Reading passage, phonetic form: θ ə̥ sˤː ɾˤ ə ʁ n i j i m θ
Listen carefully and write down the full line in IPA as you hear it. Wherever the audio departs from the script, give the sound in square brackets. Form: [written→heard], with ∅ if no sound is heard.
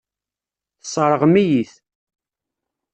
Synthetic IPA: θ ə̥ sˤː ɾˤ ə ʁ [n→m] i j i [m→∅] θ

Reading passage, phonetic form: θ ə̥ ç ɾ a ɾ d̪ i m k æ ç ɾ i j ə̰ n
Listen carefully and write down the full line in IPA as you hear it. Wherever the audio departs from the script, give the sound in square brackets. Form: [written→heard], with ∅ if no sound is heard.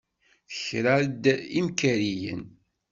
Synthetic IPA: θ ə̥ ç ɾ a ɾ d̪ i m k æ [ç→∅] ɾ i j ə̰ n

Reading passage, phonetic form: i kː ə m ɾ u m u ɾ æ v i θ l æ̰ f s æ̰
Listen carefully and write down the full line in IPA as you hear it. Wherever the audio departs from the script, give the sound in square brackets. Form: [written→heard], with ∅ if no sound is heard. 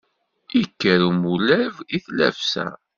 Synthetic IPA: i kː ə [m→∅] ɾ u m u [ɾ→l] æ v i θ l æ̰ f s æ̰

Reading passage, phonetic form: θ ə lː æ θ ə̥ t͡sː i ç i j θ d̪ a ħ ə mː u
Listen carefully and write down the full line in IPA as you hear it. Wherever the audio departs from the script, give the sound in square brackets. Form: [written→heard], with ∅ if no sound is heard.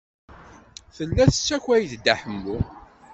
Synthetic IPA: θ ə lː æ θ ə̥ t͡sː [i→æ] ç [i→æ] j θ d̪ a ħ ə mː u

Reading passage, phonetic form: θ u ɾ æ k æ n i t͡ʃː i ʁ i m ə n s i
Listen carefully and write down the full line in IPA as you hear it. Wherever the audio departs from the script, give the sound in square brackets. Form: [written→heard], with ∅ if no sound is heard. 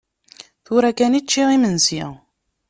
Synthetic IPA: θ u ɾ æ k æ n i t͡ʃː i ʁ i m ə n s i

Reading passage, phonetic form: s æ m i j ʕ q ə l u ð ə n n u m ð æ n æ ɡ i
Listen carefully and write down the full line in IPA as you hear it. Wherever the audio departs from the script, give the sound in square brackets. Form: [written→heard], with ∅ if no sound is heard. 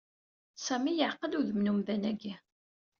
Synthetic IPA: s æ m i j ʕ q ə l u ð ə [n→m] n u m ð æ n æ ɡ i

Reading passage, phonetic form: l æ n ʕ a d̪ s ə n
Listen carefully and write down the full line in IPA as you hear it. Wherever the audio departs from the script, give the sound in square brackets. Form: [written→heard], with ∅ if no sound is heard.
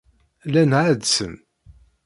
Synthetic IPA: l æ n ʕ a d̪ s ə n

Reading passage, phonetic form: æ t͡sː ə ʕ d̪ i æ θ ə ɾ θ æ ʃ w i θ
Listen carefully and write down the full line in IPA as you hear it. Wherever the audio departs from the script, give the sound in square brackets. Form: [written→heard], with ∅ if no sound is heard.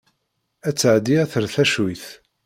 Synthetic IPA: æ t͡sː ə ʕ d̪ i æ θ ə ɾ θ æ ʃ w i θ

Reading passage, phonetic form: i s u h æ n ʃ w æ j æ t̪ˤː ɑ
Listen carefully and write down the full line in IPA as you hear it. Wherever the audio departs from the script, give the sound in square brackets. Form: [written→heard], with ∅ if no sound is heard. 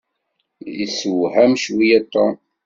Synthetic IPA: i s [u→w] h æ [n→m] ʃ w [æ→i] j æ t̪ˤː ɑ

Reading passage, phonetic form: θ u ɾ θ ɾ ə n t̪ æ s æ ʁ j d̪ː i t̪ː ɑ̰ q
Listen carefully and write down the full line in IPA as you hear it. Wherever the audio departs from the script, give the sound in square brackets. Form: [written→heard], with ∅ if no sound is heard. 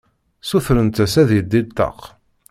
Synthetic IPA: [θ→s] u [ɾ→∅] θ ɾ ə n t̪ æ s æ [ʁ→ð] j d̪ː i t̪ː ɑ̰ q

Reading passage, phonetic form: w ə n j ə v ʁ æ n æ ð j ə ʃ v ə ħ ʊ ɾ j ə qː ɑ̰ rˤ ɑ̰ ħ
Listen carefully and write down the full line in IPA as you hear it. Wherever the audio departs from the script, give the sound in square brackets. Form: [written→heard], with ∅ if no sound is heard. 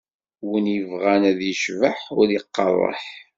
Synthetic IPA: w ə n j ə v ʁ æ n æ ð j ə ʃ v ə ħ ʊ ɾ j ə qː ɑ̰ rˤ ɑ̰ ħ

